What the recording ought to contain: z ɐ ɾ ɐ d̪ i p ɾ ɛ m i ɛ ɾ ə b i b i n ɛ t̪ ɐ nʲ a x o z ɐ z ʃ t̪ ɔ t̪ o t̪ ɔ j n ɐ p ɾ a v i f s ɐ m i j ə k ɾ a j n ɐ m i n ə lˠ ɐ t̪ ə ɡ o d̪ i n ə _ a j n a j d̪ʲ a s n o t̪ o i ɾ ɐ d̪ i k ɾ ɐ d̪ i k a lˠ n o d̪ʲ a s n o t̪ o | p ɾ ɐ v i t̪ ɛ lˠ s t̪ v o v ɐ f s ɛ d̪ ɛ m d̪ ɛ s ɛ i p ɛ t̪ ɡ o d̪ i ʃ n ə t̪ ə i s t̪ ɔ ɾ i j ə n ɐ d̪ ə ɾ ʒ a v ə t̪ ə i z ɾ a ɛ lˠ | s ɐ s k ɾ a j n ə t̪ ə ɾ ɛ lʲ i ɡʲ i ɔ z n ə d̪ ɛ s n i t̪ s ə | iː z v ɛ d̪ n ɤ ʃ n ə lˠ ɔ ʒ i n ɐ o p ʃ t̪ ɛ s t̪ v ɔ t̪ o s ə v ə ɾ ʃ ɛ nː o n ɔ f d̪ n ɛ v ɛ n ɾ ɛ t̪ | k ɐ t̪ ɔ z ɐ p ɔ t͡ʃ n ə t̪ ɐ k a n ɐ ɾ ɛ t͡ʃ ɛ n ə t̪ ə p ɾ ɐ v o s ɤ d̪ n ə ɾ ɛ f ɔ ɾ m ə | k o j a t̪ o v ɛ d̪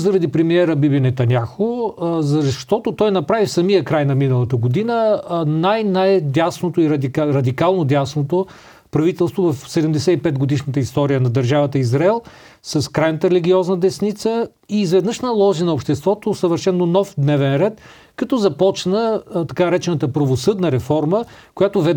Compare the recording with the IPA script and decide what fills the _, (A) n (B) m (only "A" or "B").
A